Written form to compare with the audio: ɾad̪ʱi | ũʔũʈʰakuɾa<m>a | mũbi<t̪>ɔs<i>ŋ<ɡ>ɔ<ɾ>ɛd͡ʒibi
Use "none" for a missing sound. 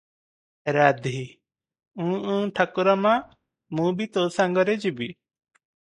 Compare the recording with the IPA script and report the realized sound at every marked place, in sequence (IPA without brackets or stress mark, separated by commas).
m, t̪, a, ɡ, ɾ